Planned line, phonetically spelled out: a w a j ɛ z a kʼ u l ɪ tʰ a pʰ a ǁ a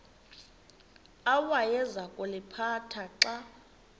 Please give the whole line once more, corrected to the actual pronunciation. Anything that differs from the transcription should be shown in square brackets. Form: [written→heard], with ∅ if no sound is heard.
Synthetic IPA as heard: a w a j ɛ z a kʼ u l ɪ [tʰ→pʰ] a [pʰ→tʰ] a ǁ a